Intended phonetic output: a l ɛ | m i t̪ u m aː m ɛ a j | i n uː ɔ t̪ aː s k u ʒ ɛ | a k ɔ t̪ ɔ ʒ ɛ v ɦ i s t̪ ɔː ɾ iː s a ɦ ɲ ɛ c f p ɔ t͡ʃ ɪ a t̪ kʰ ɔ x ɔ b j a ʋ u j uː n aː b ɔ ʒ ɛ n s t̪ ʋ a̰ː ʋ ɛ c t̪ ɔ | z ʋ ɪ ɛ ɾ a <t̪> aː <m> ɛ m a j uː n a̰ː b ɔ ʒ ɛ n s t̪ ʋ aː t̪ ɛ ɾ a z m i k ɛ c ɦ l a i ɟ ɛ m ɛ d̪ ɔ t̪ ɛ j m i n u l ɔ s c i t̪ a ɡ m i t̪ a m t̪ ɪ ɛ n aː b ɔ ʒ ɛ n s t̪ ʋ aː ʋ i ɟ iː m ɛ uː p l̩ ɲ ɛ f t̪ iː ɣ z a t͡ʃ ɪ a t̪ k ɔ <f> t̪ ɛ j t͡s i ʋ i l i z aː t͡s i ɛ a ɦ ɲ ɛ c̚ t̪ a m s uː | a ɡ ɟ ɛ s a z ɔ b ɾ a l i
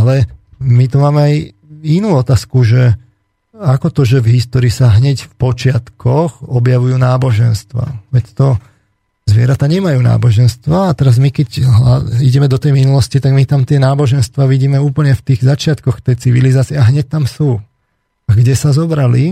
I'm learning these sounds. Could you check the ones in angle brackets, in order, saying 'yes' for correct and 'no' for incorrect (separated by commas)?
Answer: yes, no, no